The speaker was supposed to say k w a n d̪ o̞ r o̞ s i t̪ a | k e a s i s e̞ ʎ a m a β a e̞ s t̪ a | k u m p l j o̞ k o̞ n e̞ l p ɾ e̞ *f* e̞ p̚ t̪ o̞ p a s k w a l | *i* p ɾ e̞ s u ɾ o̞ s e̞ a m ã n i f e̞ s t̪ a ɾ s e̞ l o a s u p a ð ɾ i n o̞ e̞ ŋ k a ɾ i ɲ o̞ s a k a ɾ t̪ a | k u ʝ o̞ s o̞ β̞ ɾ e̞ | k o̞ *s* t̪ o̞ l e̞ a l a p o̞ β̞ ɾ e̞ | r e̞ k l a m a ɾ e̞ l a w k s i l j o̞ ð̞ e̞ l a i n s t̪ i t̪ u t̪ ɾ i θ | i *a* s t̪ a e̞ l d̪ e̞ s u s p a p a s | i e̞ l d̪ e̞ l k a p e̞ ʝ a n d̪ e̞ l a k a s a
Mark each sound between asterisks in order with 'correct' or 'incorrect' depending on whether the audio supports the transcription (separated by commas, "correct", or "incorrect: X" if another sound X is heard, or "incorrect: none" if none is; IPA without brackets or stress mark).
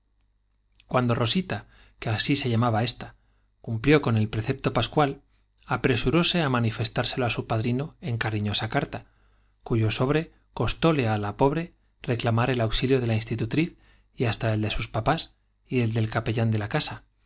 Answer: incorrect: θ, incorrect: a, correct, correct